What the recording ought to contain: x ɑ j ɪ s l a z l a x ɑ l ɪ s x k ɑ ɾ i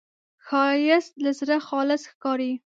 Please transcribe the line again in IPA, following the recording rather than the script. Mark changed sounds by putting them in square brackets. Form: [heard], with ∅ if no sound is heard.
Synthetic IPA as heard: x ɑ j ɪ s l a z [ɾ] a x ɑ l ɪ s x k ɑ ɾ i